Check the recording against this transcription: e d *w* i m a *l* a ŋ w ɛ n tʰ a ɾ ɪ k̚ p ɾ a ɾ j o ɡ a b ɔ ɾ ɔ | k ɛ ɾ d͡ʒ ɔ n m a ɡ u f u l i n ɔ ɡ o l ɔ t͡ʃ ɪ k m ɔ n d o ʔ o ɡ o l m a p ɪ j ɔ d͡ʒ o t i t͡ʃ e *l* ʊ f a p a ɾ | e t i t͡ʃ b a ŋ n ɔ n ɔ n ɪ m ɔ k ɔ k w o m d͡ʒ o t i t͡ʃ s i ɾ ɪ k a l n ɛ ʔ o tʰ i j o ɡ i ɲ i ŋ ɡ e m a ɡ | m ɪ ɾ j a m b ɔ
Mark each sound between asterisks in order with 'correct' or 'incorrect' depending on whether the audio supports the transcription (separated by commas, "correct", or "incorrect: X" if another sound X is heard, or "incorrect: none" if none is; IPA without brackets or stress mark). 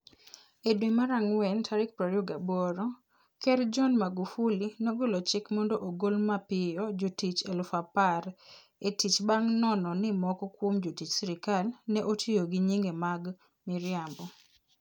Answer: correct, incorrect: ɾ, correct